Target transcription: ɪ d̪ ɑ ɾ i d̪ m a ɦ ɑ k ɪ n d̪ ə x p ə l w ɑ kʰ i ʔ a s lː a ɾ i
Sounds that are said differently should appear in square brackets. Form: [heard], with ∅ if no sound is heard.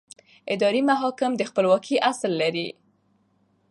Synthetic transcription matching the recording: ɪ d̪ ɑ ɾ i [∅] m a ɦ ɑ k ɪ [m] d̪ ə x p ə l w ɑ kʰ i ʔ a s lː a ɾ i